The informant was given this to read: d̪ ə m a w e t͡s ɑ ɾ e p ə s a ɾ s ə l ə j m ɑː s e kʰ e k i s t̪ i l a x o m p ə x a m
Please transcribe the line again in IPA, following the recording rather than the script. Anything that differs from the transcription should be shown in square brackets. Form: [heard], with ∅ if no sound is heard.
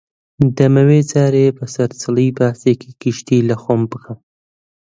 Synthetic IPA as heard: d̪ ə m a w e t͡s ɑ ɾ e p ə s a ɾ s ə l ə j [b] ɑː s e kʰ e k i [ʃ] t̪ i l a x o m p ə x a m